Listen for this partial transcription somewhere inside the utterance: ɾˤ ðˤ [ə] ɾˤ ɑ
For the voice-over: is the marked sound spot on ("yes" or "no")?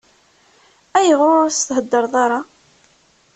no